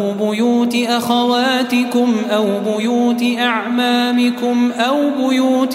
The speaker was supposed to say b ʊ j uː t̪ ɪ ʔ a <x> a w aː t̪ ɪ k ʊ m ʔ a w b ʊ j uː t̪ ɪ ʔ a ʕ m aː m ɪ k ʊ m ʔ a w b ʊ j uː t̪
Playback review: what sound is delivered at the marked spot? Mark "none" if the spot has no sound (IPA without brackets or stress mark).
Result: x